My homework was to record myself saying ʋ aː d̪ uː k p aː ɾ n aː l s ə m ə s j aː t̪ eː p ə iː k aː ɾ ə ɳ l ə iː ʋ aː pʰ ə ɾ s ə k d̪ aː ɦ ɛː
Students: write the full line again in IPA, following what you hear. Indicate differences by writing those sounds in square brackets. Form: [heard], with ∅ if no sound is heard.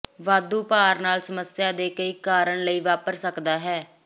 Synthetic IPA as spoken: ʋ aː d̪ uː [∅] p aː ɾ n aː l s ə m ə s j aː [d̪] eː [k] ə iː k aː ɾ ə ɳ l ə iː ʋ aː [p] ə ɾ s ə k d̪ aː ɦ ɛː